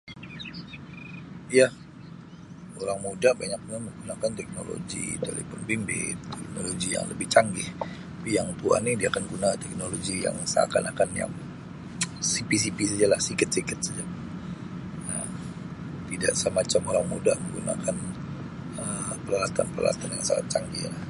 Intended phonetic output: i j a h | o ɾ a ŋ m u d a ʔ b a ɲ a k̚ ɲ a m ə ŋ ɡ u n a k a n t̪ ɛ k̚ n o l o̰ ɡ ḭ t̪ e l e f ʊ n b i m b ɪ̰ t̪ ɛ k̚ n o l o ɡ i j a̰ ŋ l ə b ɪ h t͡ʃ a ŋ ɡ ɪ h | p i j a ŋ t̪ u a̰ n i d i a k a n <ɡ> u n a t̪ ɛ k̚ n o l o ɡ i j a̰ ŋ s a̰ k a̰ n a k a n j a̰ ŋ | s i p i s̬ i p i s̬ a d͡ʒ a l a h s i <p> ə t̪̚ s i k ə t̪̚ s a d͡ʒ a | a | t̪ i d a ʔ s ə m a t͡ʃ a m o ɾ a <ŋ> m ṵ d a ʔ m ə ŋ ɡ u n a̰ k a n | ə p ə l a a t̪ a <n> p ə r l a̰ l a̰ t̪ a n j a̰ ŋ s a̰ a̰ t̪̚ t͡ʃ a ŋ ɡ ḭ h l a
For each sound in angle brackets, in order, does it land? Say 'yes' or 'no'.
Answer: yes, no, yes, yes

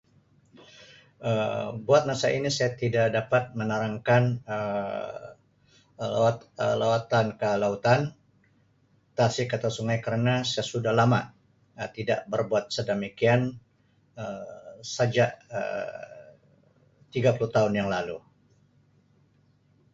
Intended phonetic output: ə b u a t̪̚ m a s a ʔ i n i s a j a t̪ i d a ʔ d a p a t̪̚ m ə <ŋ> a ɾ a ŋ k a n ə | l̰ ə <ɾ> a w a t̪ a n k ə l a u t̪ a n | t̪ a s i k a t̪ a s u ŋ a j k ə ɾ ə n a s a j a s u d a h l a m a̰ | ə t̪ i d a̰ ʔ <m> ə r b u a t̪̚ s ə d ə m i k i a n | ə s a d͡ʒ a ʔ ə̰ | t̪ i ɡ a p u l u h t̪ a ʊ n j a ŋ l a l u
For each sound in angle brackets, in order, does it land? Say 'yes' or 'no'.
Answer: no, no, no

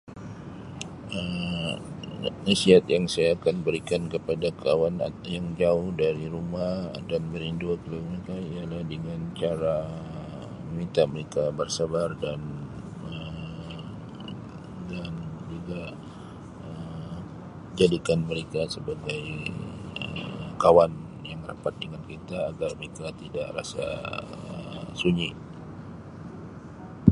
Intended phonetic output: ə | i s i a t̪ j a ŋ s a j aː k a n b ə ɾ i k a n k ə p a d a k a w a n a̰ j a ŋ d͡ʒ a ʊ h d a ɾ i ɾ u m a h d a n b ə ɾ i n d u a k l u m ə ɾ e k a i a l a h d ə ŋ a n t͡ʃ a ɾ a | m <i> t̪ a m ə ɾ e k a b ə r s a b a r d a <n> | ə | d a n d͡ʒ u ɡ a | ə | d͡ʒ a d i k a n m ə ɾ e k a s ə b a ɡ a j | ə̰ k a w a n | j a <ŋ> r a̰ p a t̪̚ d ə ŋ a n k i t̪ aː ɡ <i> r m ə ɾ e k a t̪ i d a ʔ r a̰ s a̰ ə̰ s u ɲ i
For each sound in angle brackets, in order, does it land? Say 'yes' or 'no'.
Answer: yes, yes, yes, no

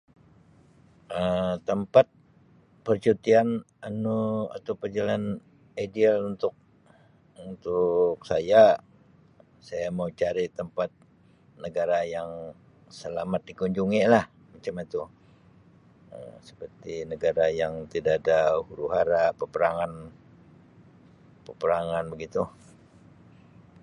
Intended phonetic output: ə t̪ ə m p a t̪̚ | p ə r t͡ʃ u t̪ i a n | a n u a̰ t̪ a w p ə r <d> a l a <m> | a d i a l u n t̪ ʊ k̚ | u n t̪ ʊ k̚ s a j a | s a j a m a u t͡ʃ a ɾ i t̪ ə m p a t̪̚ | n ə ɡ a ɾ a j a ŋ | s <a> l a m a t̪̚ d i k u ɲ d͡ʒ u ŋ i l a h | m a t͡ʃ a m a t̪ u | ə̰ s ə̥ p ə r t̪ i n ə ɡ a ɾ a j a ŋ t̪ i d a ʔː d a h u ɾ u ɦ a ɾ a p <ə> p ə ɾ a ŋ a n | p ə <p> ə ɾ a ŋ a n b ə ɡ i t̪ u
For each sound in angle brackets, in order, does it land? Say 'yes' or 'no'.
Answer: no, no, no, yes, yes

